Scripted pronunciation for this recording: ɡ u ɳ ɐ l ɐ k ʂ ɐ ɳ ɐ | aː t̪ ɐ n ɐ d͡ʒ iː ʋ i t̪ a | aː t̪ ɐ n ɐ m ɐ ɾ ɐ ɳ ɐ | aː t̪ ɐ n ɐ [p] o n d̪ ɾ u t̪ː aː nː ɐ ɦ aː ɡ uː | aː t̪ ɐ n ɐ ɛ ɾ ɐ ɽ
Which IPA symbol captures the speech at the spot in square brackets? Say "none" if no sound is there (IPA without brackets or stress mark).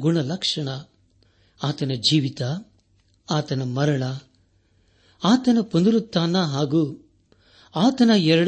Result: p